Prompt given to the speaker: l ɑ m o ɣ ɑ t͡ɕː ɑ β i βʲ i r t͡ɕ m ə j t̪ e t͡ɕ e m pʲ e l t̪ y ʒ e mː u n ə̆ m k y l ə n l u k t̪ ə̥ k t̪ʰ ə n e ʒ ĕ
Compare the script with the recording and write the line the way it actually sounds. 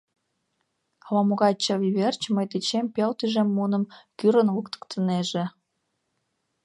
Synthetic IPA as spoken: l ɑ m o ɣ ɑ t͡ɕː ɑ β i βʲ e r t͡ɕ m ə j t̪ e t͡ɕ e m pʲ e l t̪ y ʒ e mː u n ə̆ m k y ɾ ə n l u k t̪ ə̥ k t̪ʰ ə n e ʒ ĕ

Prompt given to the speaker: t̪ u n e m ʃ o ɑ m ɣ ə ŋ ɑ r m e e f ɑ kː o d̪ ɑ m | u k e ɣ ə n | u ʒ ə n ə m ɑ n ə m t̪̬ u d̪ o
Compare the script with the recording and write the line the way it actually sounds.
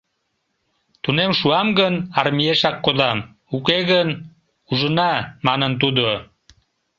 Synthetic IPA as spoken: t̪ u n e m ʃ u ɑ m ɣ ə n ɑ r m i e ʃ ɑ kː o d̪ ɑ m | u k e ɣ ə n | u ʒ ə n ɑ m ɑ n ə n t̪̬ u d̪ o

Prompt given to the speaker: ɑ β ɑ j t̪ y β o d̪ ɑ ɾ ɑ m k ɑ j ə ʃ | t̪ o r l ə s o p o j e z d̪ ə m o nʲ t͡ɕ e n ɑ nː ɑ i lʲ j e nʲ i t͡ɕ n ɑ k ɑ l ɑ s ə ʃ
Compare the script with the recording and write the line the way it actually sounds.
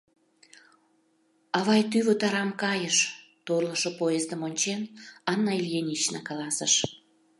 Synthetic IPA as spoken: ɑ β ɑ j t̪ y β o t̪ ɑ ɾ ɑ m k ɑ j ə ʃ | t̪ o r l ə ʃ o p o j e z d̪ ə m o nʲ t͡ɕ e n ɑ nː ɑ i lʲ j e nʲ i t͡ɕ n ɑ k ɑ l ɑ s ə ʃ

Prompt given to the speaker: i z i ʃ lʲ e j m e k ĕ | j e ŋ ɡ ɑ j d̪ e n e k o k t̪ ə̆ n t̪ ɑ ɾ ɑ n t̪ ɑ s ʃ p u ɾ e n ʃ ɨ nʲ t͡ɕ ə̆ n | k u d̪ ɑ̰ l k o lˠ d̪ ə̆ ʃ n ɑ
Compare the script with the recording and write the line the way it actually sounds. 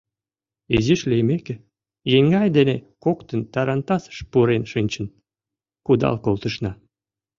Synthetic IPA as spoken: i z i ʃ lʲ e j m e k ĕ | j e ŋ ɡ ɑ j d̪ e n e k o k t̪ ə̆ n t̪ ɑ ɾ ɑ n t̪ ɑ s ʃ p u ɾ e n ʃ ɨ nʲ t͡ɕ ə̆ n | k u d̪ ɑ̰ l k o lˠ t̪ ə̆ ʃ n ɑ

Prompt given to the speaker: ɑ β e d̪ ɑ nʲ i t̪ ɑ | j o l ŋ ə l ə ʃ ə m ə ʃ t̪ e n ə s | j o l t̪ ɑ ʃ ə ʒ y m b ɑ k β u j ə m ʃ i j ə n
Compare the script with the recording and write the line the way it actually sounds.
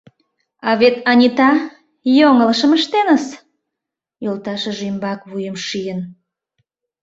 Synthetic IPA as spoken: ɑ β e t̪ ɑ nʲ i t̪ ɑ | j o ŋ ə l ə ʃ ə m ə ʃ t̪ e n ə s | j o l t̪ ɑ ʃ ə ʒ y m b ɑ k β u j ə m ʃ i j ə n

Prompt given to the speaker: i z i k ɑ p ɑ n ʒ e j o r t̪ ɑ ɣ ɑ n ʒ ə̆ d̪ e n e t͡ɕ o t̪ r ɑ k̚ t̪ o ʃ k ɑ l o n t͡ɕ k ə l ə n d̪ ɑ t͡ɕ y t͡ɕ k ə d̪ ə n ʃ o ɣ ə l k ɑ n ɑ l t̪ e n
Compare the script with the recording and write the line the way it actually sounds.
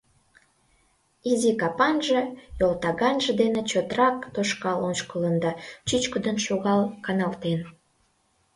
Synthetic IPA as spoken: i z i k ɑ p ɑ n ʒ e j o l t̪ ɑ ɣ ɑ n ʒ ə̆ d̪ e n e t͡ɕ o t̪ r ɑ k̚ t̪ o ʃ k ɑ l o n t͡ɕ k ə l ə n d̪ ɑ t͡ɕ y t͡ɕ k ə d̪ ə n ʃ o ɣ ɑ l k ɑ n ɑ l t̪ e n

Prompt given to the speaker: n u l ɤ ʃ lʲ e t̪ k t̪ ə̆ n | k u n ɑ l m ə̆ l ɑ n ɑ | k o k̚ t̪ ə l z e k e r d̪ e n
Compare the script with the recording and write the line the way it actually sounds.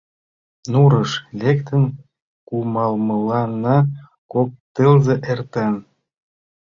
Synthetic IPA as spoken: n u ɾ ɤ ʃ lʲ e k t̪ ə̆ n | k u m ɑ l m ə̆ l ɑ n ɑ | k o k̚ t̪ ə l z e ʔ e r t̪ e n

